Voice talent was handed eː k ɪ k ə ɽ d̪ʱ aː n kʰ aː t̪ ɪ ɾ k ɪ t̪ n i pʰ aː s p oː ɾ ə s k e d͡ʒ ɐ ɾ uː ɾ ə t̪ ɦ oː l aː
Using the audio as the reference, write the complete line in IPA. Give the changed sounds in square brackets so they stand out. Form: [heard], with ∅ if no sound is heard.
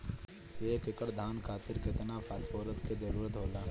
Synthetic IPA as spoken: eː k ɪ k ə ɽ d̪ʱ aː n kʰ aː t̪ ɪ ɾ k ɪ t̪ n [a] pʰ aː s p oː ɾ ə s k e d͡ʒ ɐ ɾ uː ɾ ə t̪ ɦ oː l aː

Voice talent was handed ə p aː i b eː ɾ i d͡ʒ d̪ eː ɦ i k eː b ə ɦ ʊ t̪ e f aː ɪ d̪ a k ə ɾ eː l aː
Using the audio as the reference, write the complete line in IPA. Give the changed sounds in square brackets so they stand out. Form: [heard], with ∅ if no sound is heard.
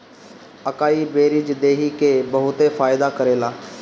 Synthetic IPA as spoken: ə [k] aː i b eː ɾ i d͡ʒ d̪ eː ɦ i k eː b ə ɦ ʊ t̪ e f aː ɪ d̪ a k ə ɾ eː l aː

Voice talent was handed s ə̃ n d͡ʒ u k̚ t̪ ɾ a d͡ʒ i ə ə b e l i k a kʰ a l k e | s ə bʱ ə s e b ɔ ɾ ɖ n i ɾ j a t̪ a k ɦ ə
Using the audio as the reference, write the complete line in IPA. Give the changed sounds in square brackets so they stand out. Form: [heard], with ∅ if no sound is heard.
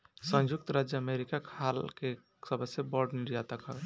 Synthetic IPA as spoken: s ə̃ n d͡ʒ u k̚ t̪ ɾ a d͡ʒ [j] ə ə [m] e [ɾ] i k a kʰ a l k e | s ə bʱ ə s e b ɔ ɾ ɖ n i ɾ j a t̪ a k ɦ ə

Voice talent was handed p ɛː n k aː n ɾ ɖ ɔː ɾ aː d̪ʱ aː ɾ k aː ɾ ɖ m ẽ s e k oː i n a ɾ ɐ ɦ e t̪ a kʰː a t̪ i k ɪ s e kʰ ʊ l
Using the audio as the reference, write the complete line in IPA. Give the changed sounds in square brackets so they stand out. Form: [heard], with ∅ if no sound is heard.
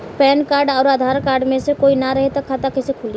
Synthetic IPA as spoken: p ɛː n k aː [∅] ɾ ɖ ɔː ɾ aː d̪ʱ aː ɾ k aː ɾ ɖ m ẽ s e k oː i n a ɾ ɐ ɦ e t̪ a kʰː a t̪ [a] k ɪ s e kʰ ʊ l

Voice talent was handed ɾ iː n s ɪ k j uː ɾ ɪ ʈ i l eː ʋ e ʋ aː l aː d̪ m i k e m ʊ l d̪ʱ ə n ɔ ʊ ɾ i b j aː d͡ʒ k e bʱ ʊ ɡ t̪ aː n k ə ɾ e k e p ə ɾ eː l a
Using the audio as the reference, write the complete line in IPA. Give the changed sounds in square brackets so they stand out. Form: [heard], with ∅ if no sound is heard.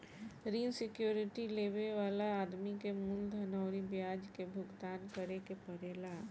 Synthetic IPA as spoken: ɾ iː n s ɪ k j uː ɾ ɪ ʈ i l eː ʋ e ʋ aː l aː d̪ m i k e m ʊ l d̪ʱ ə n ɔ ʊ ɾ i b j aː d͡ʒ k e bʱ ʊ ɡ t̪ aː n k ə ɾ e k e p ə ɾ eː l a

